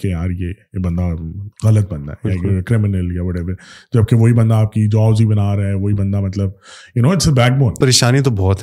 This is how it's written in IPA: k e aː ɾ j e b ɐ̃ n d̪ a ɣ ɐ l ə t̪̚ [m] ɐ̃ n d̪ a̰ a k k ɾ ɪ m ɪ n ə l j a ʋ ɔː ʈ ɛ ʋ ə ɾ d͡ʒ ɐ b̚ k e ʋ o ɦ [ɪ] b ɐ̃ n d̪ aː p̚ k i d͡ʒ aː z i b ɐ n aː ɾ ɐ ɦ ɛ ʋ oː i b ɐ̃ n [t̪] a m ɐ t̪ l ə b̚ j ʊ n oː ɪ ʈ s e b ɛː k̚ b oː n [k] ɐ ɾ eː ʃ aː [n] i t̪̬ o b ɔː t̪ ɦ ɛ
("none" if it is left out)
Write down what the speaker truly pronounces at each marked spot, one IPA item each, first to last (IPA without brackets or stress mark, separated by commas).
b, i, d̪, p, n